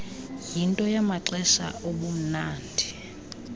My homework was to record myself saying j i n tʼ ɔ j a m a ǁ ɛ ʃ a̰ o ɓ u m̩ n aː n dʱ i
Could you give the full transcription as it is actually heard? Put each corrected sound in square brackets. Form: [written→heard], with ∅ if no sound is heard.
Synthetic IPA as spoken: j i n tʼ ɔ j a m a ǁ ɛ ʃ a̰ o ɓ u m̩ n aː n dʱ i